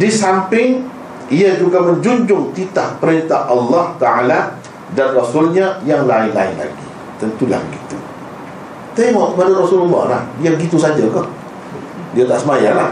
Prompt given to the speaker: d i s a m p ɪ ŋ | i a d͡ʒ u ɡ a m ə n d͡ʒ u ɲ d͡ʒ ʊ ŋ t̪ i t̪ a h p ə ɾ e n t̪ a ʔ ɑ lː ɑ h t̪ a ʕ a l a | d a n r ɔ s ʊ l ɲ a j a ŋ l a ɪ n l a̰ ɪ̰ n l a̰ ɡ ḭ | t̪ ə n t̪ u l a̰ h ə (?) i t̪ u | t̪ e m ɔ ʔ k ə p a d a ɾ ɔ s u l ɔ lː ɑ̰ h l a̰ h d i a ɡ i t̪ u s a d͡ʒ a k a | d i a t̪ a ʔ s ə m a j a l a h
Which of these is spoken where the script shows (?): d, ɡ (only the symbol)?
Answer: ɡ